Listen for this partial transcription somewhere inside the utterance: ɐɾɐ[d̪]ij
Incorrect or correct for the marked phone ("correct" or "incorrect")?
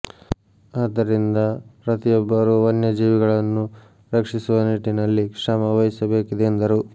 incorrect